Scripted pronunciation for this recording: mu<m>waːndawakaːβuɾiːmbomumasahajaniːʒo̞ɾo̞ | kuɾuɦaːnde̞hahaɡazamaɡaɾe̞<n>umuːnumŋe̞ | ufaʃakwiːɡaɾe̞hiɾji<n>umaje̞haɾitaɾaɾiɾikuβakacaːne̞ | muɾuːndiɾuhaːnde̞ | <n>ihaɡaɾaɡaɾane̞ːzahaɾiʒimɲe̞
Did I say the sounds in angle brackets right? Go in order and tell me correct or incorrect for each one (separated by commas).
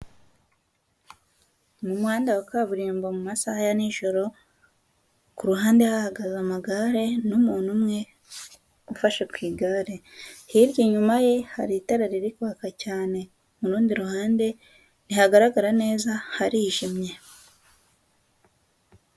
correct, correct, incorrect, correct